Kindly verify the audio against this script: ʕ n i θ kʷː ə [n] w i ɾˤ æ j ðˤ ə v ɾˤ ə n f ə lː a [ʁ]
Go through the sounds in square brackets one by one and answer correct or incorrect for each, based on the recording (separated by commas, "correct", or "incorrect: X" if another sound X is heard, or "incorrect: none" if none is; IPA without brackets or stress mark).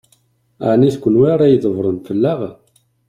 correct, correct